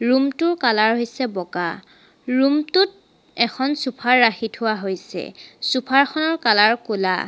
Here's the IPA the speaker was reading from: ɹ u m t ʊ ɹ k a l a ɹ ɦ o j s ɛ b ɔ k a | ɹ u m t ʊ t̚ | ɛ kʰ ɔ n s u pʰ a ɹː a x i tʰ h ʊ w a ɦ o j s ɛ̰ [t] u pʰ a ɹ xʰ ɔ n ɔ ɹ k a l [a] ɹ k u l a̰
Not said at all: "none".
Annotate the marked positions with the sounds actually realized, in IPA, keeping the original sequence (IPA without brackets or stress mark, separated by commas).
s, a